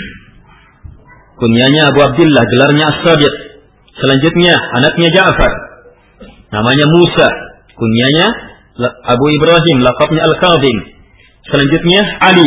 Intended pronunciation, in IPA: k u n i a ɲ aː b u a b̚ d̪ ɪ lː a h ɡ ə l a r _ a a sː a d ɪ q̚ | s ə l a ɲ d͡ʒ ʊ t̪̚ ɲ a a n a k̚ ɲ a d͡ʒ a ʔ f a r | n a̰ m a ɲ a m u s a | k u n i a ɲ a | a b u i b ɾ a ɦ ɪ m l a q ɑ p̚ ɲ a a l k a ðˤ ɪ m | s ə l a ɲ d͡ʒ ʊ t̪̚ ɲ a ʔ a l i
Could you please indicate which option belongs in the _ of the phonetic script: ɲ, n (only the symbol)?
ɲ